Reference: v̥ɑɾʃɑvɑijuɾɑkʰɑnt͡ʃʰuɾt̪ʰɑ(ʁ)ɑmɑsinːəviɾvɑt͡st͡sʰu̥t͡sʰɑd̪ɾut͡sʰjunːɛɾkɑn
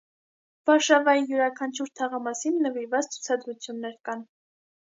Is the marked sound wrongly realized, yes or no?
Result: no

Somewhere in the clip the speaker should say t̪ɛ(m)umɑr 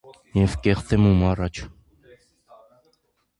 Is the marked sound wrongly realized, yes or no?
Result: no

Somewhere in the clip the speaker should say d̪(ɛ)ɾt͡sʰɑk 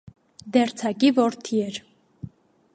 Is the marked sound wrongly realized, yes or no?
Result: no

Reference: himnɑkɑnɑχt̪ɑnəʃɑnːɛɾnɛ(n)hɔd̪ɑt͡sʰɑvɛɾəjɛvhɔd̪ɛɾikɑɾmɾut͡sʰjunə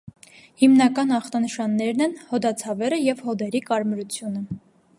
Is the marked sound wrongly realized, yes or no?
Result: no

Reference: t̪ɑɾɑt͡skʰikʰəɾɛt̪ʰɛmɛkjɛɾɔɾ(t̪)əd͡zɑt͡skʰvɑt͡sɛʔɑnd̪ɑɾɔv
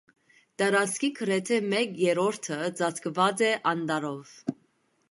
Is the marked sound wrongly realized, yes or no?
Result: yes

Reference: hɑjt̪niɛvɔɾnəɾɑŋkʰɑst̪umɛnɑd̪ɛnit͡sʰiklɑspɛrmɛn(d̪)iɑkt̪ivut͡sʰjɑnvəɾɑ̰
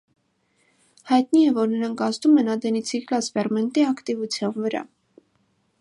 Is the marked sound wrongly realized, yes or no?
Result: yes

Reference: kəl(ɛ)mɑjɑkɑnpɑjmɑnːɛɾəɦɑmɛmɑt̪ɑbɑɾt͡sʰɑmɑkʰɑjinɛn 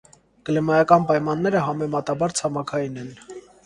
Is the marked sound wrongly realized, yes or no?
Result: no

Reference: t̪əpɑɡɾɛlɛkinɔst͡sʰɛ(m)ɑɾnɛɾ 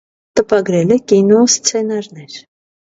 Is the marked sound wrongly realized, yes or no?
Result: yes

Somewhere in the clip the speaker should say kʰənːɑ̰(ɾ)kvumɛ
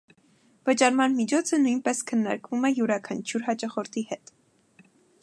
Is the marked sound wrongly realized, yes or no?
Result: no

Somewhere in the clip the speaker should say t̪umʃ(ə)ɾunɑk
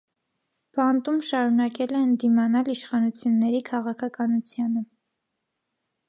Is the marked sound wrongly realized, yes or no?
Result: yes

